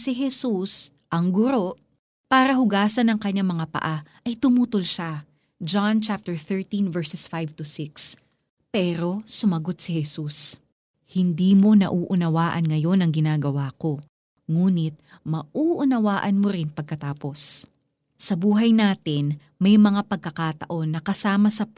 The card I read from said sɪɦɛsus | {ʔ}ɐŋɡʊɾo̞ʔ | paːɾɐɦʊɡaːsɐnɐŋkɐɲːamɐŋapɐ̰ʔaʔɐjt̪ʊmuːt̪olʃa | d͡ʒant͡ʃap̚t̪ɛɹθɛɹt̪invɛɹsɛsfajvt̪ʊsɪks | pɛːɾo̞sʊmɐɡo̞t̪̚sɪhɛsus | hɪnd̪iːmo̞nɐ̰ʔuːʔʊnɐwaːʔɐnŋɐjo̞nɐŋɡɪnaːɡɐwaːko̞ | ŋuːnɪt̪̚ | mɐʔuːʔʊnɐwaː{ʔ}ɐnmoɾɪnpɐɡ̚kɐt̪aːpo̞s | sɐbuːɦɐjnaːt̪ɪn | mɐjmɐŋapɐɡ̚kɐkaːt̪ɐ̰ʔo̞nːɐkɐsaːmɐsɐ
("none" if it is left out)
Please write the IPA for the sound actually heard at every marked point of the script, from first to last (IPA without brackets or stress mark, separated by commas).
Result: ʔ, ʔ